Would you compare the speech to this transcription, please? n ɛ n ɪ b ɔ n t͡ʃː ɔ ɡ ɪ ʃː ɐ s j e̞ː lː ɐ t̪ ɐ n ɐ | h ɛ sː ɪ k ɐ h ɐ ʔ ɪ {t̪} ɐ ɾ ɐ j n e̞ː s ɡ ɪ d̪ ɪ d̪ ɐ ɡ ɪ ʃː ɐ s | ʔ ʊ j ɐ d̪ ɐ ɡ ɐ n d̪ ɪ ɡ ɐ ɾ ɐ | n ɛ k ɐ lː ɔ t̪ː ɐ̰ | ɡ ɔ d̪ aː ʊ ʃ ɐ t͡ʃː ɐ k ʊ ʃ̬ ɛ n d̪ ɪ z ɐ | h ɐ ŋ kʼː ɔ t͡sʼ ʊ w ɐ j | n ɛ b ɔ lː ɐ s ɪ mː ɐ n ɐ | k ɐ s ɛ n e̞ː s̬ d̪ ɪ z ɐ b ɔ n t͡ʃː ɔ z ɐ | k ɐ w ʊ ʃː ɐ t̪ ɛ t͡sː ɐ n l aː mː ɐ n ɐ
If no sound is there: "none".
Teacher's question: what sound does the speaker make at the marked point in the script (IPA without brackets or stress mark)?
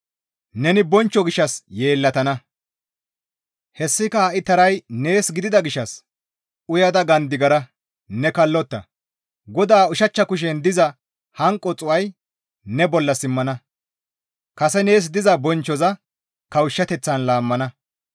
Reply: t̪